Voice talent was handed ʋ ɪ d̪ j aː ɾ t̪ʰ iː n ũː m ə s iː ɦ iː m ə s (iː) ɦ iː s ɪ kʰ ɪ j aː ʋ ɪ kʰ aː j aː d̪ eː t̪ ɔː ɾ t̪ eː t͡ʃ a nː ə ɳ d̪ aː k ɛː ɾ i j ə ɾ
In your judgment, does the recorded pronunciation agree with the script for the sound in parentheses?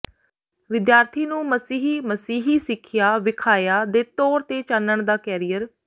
yes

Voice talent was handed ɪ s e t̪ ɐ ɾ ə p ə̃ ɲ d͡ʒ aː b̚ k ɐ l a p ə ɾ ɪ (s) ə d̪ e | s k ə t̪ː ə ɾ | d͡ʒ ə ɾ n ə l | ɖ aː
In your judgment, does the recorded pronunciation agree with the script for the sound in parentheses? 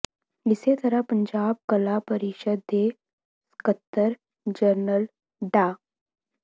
no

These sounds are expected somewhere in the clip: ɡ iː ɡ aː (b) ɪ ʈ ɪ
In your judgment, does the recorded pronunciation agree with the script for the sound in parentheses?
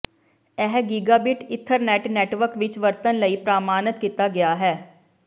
yes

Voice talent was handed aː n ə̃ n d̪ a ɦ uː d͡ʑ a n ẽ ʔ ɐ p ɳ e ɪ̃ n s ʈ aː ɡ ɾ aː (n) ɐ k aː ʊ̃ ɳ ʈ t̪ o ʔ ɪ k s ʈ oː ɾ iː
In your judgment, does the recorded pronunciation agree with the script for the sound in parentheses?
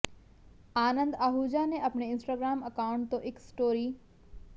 no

